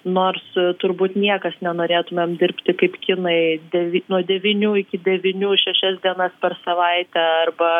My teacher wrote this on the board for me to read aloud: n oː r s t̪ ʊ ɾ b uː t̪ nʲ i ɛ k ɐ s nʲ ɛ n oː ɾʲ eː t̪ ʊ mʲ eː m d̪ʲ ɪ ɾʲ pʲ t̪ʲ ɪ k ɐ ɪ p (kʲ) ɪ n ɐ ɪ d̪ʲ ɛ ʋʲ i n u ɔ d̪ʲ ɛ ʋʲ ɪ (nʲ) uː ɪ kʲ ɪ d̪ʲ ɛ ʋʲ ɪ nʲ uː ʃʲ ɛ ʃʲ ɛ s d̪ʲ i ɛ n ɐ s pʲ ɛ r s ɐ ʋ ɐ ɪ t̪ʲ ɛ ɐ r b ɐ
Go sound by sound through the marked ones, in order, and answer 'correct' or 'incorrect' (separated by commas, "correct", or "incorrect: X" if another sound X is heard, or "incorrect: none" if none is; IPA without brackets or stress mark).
correct, correct